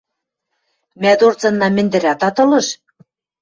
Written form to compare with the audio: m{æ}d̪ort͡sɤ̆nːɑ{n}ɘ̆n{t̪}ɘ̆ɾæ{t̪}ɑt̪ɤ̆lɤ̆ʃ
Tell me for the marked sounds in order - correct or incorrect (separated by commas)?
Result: correct, incorrect, incorrect, correct